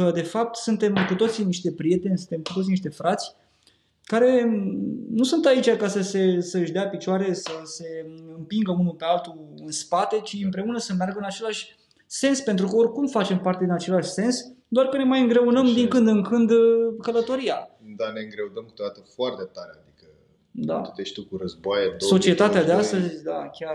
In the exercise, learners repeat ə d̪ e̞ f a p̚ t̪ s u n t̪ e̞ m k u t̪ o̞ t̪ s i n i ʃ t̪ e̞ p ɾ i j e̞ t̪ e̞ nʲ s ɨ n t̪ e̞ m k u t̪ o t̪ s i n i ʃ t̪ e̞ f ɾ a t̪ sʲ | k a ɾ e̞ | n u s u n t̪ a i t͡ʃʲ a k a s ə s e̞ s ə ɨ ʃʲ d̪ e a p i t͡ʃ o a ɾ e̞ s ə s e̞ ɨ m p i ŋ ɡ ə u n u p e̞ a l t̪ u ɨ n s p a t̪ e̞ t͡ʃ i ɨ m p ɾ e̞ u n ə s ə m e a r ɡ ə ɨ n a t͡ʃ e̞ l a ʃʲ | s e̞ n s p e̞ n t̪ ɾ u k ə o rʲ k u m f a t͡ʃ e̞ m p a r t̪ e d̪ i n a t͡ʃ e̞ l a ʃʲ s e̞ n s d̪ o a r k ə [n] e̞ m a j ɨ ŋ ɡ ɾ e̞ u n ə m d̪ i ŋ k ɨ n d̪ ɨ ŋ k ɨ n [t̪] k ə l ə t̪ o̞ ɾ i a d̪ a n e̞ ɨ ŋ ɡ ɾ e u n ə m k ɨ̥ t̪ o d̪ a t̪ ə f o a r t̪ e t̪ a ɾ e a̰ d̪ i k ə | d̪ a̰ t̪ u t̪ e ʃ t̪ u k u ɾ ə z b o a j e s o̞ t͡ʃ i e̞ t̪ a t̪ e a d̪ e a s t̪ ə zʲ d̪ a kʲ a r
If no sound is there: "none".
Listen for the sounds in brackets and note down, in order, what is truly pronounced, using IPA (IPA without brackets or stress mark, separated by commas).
n, d̪